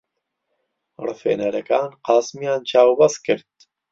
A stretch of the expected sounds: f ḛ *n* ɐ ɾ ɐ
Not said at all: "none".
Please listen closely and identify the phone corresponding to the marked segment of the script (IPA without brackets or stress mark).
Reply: n